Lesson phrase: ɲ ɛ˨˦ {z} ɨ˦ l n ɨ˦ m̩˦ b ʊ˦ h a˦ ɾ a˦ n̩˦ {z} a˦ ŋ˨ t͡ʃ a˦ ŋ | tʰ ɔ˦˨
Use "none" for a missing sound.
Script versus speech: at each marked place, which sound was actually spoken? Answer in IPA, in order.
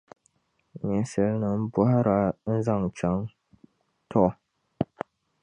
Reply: s, z

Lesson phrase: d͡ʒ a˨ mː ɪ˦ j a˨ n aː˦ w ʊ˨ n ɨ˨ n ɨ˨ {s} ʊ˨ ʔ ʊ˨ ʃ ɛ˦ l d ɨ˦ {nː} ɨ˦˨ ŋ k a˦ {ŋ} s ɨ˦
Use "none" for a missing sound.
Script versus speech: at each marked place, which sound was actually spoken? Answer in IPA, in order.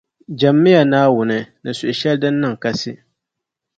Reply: s, nː, none

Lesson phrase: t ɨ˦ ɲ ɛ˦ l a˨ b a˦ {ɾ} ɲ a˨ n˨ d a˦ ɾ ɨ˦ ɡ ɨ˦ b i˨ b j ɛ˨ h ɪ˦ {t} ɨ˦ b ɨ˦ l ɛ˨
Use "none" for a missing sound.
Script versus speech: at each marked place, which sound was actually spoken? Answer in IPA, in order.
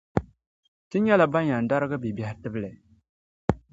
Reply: none, t

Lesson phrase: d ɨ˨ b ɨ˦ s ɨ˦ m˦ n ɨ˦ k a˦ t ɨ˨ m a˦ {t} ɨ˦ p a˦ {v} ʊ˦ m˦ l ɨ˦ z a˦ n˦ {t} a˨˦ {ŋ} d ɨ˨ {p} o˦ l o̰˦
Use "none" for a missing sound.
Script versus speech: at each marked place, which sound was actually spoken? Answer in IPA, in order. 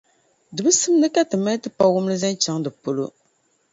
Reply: t, w, t͡ʃ, ŋ, p

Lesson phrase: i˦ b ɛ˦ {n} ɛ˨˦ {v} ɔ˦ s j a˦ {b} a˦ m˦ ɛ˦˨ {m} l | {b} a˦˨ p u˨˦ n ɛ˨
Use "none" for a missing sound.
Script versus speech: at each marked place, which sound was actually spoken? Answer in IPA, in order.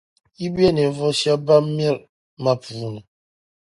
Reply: n, v, b, none, m

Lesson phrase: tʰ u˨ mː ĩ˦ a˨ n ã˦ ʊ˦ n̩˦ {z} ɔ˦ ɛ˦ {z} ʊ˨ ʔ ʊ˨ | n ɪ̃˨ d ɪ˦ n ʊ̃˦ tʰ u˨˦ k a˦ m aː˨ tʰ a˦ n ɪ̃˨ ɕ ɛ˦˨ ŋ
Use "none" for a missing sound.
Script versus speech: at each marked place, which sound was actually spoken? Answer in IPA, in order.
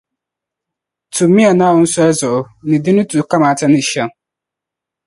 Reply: s, z

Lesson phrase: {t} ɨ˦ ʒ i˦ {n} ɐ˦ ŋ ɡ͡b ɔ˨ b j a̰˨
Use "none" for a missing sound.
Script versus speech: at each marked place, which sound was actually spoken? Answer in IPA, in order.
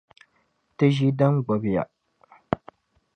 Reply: t, d

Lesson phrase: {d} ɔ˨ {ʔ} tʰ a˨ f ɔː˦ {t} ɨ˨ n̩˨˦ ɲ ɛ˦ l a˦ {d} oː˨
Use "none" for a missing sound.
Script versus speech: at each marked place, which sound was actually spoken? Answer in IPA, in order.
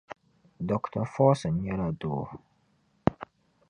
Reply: d, k, s, d

